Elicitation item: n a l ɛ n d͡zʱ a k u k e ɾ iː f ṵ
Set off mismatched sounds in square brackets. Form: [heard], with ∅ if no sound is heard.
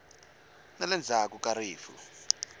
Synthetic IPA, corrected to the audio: n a l ɛ n d͡zʱ a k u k [a] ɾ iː f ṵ